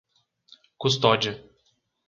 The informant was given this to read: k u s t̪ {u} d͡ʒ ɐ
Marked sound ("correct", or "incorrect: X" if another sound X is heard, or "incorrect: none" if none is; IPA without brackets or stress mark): incorrect: ɔ